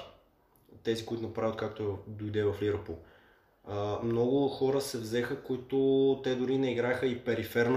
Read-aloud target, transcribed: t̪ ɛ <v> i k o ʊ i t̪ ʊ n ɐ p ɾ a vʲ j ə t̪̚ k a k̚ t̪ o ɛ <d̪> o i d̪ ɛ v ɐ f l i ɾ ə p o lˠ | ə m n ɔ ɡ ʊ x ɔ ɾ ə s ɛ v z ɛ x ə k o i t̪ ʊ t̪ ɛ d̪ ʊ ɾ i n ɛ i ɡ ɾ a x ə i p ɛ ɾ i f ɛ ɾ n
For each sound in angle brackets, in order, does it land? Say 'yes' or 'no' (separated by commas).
no, yes